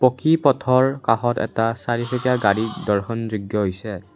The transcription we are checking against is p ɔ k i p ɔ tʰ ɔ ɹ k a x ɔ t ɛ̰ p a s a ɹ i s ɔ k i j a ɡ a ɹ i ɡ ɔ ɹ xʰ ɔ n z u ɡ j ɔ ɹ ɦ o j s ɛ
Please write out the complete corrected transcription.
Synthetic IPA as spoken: p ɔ k i p ɔ tʰ ɔ ɹ k a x ɔ t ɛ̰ t a s a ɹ i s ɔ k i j a ɡ a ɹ i d ɔ ɹ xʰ ɔ n z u ɡ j ɔ ɦ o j s ɛ